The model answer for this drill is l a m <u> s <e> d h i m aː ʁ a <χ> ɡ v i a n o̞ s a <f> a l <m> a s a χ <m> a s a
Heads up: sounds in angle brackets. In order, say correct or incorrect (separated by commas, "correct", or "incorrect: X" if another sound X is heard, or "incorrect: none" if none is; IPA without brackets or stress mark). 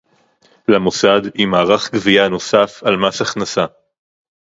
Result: incorrect: o, incorrect: a, correct, correct, correct, incorrect: n